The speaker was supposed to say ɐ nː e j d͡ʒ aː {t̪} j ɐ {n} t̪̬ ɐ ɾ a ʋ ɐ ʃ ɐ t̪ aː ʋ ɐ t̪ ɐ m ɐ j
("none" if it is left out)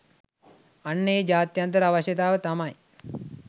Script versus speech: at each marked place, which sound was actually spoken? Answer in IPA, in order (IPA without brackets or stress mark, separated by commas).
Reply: t̪, n